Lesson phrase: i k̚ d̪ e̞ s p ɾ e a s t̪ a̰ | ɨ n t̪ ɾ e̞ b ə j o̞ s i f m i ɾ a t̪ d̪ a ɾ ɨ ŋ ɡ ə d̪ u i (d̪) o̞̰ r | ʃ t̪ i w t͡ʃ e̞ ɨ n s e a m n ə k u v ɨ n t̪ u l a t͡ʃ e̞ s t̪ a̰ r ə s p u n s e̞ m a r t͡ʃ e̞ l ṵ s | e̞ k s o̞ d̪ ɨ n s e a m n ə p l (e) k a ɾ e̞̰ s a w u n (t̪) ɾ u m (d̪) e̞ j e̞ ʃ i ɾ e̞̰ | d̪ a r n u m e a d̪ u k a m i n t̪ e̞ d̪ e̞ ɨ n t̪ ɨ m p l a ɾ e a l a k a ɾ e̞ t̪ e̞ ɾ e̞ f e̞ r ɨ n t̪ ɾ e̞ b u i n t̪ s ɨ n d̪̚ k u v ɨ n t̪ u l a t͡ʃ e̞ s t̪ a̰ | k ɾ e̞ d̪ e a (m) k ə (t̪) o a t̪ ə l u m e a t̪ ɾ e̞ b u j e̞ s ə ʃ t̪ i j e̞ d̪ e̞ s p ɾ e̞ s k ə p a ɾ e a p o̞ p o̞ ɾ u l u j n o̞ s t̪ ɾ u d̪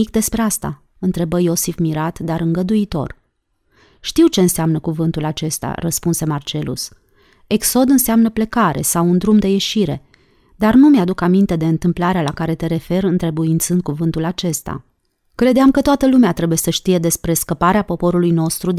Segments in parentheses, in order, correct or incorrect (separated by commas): incorrect, correct, incorrect, correct, correct, correct